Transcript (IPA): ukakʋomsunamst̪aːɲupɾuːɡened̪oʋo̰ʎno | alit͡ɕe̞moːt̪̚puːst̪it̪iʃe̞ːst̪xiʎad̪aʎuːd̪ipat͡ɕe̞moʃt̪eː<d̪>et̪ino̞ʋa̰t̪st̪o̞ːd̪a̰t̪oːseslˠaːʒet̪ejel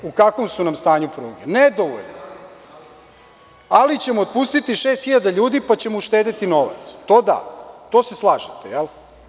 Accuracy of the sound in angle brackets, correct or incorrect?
correct